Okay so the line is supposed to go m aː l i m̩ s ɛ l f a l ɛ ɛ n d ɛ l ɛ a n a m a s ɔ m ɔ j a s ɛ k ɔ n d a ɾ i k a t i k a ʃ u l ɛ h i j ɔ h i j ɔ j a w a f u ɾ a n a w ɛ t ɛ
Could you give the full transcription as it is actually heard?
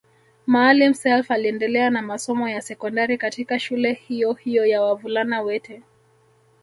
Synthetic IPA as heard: m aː l i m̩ s ɛ l f a l i ɛ n d ɛ l ɛ a n a m a s ɔ m ɔ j a s ɛ k ɔ n d a ɾ i k a t i k a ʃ u l ɛ h i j ɔ h i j ɔ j a w a v u l a n a w ɛ t ɛ